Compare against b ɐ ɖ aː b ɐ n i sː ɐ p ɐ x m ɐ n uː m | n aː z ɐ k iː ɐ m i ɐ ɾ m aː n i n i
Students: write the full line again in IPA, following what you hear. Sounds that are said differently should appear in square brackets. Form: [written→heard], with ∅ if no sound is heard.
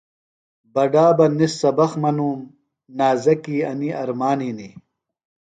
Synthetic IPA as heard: b ɐ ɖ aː b ɐ n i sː ɐ [p→b] ɐ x m ɐ n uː m | n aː z ɐ k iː ɐ [m→n] i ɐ ɾ m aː n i n i